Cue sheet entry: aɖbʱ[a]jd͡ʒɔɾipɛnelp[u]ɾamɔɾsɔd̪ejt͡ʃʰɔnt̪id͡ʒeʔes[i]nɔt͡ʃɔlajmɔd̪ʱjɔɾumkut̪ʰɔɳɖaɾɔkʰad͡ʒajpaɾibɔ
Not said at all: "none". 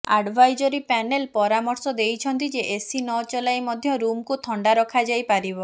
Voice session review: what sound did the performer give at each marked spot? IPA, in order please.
a, ɔ, i

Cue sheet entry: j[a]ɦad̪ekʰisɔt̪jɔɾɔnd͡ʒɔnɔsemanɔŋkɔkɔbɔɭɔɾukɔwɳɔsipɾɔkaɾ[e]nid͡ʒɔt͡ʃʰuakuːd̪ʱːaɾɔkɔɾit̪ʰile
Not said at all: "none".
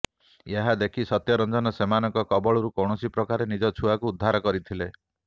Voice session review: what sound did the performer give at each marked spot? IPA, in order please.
e, e

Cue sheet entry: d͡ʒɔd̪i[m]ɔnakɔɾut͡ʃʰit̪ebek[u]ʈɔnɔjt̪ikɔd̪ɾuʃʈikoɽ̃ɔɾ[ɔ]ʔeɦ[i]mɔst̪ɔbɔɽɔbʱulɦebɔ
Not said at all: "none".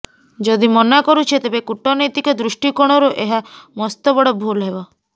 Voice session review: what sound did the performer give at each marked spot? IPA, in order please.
m, u, u, a

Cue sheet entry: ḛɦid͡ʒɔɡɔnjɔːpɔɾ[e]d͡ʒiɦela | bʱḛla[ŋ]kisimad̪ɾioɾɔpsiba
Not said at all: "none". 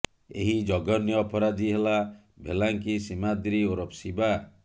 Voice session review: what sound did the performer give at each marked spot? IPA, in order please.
a, ŋ

